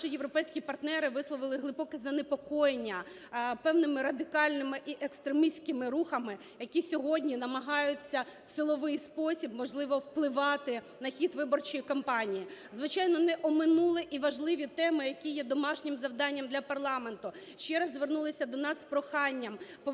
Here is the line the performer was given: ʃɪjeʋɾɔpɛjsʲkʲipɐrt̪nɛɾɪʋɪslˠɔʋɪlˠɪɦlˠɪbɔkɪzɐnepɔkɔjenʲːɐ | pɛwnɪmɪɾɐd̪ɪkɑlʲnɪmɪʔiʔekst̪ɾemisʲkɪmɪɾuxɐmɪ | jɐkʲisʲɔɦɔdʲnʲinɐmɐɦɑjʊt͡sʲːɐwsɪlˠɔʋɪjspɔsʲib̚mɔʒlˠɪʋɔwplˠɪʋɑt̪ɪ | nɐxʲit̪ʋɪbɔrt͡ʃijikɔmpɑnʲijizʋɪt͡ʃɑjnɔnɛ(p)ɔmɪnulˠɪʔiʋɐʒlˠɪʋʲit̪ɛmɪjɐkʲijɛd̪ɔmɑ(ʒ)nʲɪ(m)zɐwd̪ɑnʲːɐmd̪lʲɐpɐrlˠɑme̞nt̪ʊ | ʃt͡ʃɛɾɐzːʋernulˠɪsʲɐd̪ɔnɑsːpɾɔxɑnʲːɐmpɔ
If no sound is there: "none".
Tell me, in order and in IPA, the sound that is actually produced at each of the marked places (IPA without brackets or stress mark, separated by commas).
ʔ, ʃ, m